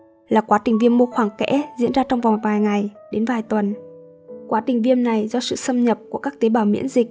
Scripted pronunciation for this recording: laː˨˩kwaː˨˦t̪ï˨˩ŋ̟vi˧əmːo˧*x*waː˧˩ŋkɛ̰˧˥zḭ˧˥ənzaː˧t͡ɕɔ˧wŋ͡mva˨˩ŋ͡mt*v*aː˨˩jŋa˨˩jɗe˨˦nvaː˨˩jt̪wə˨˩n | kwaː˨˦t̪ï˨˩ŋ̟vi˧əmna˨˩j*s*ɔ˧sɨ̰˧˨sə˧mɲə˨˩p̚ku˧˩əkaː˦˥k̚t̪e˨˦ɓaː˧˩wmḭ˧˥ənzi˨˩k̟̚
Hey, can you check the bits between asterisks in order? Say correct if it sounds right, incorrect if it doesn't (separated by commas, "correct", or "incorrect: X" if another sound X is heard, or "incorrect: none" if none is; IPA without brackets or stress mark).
correct, correct, incorrect: z